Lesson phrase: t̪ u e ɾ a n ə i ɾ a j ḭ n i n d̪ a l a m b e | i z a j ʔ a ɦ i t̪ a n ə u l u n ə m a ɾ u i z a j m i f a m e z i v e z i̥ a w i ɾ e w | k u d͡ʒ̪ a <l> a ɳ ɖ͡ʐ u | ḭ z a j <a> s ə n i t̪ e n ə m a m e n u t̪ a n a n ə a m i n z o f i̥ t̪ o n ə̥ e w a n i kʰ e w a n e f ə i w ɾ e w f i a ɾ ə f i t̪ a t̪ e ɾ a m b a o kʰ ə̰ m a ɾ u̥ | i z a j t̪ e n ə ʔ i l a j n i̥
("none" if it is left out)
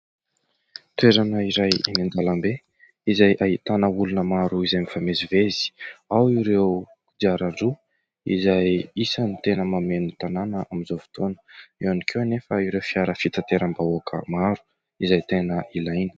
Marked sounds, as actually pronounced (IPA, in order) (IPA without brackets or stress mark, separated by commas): ɾ, i